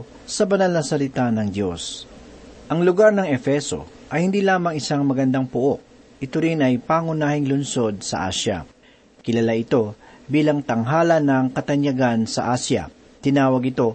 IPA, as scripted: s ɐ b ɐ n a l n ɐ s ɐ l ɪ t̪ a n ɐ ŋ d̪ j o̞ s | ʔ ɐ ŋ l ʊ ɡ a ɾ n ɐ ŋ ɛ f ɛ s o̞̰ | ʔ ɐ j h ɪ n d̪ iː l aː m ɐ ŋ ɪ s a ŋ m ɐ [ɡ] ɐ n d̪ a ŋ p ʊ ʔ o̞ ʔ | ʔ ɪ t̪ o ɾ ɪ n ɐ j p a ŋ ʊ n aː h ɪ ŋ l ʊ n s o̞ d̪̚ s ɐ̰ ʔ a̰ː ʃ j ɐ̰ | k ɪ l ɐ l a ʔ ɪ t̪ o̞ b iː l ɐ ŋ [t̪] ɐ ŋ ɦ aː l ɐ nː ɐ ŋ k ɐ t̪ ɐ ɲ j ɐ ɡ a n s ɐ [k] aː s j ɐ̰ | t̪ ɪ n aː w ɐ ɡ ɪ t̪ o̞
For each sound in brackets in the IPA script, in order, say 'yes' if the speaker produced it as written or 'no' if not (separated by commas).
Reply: yes, yes, no